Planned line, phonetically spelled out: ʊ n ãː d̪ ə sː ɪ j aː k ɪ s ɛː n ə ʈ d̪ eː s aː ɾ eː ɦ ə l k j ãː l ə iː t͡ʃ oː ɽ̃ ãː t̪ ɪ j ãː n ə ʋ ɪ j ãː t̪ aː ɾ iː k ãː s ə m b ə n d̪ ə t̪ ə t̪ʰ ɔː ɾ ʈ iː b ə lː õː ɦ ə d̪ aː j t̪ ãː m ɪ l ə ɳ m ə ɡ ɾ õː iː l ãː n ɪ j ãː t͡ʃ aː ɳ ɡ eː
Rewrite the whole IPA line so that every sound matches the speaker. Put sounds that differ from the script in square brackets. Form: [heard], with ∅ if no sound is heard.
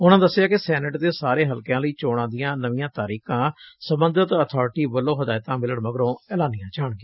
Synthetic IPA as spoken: ʊ n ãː d̪ ə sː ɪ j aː k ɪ s ɛː n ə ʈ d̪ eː s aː ɾ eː ɦ ə l k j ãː l ə iː t͡ʃ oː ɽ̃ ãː [d̪] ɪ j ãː n ə ʋ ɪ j ãː t̪ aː ɾ iː k ãː s ə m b ə n d̪ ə t̪ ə t̪ʰ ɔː ɾ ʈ iː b ə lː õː ɦ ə d̪ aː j t̪ ãː m ɪ l ə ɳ m ə ɡ ɾ õː [ɛː] l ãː n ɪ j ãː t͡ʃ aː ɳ ɡ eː